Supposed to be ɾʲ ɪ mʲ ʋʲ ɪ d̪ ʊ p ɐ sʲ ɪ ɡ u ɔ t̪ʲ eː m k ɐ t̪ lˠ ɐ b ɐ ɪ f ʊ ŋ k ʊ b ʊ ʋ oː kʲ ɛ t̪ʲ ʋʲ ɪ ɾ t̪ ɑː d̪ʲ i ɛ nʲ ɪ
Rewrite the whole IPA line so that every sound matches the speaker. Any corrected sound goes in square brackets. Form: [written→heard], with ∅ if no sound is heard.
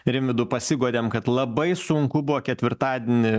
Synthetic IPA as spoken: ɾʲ ɪ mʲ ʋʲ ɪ d̪ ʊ p ɐ sʲ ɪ ɡ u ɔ [t̪ʲ→d̪ʲ] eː m k ɐ t̪ lˠ ɐ b ɐ ɪ [f→s] ʊ ŋ k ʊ b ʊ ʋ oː kʲ ɛ t̪ʲ ʋʲ ɪ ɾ t̪ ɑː d̪ʲ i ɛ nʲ ɪ